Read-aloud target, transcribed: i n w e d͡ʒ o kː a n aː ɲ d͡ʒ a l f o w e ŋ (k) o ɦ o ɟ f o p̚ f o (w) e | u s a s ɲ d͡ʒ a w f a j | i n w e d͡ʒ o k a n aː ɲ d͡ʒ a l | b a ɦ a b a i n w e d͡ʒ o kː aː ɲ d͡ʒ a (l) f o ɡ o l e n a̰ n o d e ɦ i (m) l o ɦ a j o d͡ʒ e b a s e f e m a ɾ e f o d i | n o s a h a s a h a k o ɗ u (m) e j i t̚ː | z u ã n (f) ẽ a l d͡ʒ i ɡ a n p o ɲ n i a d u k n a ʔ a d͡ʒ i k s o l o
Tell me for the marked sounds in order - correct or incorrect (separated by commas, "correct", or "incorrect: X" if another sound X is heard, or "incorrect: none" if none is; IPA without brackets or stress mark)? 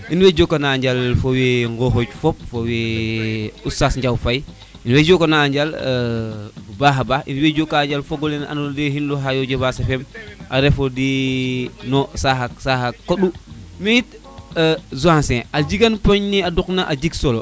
incorrect: ɡ, correct, correct, incorrect: n, correct, incorrect: s